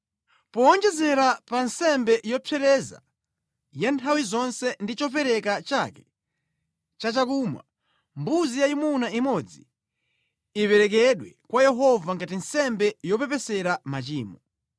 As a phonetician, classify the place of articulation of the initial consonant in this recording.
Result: labial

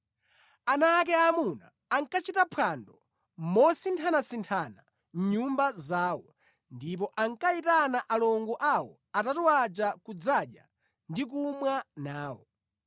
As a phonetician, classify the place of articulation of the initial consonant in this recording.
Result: alveolar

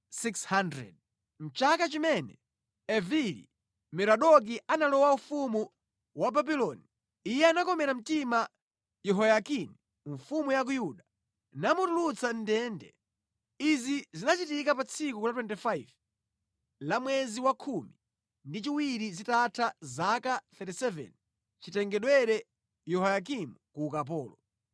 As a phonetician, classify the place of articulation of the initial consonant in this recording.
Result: alveolar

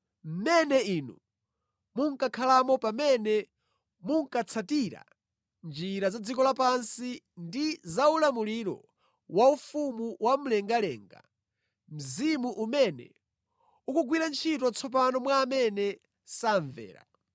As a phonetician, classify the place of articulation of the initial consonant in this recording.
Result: labial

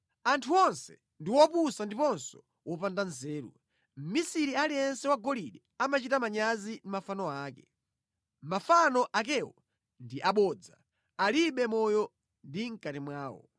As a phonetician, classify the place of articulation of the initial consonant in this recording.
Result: alveolar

